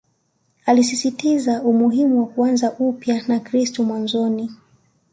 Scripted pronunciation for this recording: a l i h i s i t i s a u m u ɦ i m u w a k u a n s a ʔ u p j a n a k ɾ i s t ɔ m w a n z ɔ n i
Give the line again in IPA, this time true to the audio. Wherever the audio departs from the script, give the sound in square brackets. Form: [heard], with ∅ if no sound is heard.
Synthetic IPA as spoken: a l i [s] i s i t i [z] a u m u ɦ i m u w a k u a n [z] a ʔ u p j a n a k ɾ i s t ɔ m w a n z ɔ n i